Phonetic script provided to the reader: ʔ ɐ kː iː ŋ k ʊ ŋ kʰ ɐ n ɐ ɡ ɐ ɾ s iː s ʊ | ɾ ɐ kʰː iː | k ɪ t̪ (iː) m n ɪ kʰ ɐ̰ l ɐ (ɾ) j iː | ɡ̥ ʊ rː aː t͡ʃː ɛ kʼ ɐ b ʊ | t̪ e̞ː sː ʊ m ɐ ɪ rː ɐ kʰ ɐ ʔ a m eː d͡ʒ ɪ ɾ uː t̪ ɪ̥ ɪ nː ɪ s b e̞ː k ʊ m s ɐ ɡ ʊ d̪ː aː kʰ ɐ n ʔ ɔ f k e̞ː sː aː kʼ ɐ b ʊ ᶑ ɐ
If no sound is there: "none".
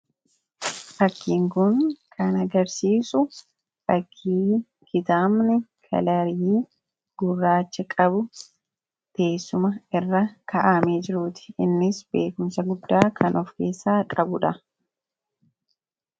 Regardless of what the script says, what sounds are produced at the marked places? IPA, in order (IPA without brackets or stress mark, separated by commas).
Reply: aː, ɾ